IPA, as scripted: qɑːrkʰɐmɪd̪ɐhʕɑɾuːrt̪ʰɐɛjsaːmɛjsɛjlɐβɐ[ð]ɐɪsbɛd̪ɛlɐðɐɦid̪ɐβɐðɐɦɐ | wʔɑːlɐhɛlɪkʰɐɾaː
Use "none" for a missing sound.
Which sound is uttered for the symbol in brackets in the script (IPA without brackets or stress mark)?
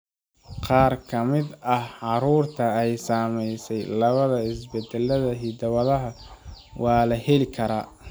ð